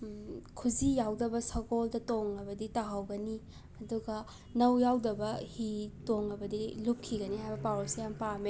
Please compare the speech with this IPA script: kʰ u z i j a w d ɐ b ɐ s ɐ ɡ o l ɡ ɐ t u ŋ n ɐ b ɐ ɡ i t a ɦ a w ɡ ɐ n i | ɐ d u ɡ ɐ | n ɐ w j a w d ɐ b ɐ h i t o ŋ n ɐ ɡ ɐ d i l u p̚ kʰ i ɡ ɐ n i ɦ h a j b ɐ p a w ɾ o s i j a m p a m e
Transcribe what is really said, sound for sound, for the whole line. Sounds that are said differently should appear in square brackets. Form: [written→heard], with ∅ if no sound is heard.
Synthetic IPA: kʰ u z i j a w d ɐ b ɐ s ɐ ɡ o l [ɡ→d] ɐ t [u→o] ŋ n ɐ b ɐ [ɡ→d] i t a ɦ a w ɡ ɐ n i | ɐ d u ɡ ɐ | n ɐ w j a w d ɐ b ɐ h i t o ŋ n ɐ [ɡ→b] ɐ d i l u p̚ kʰ i ɡ ɐ n i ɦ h a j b ɐ p a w ɾ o s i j a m p a m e